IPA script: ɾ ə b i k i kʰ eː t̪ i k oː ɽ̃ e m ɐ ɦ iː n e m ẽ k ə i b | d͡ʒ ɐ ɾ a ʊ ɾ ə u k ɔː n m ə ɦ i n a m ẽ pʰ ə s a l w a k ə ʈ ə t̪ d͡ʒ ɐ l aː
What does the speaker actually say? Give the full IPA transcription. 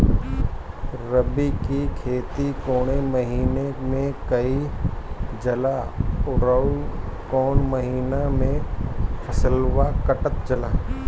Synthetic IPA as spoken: ɾ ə b i k i kʰ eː t̪ i k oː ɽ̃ e m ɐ ɦ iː n e m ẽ k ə i | d͡ʒ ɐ l a ʊ ɾ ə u k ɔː n m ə ɦ iː n a m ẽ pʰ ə s ə l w a k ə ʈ ə t̪ d͡ʒ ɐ l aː